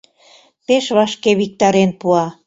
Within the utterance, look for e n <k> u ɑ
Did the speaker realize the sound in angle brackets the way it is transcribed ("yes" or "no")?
no